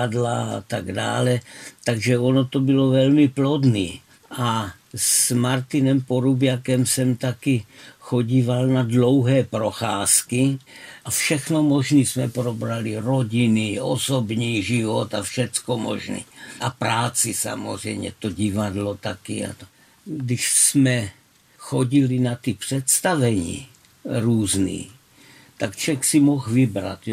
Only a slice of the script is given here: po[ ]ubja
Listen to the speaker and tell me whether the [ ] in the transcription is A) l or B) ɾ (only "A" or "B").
B